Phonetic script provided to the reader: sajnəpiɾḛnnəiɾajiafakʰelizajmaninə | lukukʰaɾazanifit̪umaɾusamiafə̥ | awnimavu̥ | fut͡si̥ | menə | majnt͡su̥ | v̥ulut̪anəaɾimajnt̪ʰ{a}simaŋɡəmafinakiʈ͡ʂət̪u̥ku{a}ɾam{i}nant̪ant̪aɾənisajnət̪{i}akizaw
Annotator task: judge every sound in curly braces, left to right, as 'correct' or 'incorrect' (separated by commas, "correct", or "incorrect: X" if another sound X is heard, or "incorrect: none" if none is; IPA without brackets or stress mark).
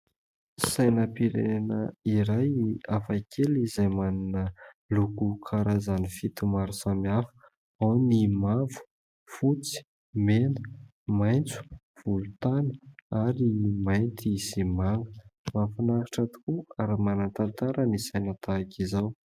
incorrect: i, correct, incorrect: a, incorrect: a